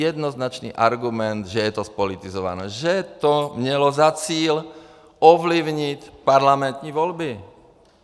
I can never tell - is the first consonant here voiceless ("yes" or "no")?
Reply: no